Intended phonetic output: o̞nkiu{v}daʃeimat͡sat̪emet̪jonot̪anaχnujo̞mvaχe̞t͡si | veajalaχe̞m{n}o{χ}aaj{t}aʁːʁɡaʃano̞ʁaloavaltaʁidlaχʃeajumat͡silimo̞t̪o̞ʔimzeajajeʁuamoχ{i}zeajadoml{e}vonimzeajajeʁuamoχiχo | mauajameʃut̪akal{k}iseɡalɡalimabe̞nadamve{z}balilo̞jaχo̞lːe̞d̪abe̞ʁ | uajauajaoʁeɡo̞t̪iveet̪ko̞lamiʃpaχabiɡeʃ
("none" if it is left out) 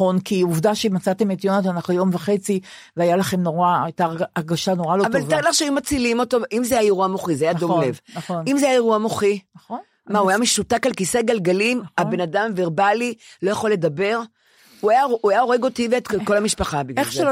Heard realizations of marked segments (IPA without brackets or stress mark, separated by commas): v, n, ʁ, t, i, e, k, ʁ